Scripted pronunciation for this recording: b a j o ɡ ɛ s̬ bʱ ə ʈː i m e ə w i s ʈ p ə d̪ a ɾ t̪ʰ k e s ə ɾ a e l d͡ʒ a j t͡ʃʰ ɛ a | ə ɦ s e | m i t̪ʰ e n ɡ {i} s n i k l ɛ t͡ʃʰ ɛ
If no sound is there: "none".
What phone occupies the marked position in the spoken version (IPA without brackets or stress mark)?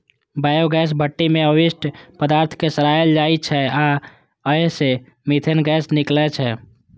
ɛ